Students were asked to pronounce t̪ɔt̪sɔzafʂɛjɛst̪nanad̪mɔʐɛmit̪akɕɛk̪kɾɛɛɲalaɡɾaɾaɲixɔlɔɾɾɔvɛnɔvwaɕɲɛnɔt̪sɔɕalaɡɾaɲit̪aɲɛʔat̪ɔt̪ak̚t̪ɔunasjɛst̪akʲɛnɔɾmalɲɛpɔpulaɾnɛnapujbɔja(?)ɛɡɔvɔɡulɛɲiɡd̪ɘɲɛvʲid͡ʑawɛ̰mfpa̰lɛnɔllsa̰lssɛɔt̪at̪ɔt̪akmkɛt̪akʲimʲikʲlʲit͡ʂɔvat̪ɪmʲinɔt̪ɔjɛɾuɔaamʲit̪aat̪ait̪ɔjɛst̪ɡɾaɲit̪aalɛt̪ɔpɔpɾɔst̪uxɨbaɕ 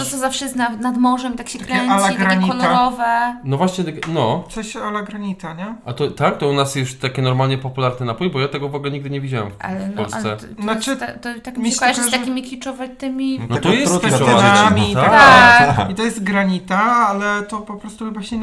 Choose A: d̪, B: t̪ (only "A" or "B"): B